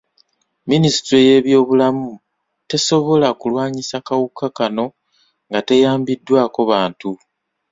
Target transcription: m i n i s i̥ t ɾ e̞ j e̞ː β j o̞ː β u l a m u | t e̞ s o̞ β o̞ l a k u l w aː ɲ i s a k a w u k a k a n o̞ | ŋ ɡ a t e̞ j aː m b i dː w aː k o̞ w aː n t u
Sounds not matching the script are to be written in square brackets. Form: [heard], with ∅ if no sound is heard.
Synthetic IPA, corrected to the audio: m i n i s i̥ t ɾ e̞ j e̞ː β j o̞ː β u l a m u | t e̞ s o̞ β o̞ l a k u l w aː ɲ i s a k a w u k a k a n o̞ | ŋ ɡ a t e̞ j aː m b i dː w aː k o̞ [β] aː n t u